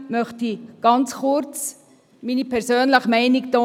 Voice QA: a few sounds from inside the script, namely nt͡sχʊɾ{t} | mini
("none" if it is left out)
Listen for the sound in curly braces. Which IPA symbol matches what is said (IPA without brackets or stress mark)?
t͡s